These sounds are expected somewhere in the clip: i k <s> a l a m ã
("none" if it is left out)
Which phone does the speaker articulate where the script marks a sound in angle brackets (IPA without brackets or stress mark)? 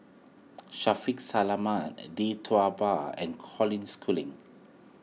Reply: s